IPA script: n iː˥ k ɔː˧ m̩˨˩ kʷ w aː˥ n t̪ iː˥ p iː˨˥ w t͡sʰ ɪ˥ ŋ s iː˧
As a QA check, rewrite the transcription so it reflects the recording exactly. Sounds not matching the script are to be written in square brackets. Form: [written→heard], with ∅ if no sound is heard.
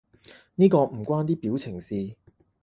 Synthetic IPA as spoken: n iː˥ k ɔː˧ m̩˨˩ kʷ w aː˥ n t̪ iː˥ p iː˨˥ w t͡sʰ [ɪ˥→ɪ˨˩] ŋ s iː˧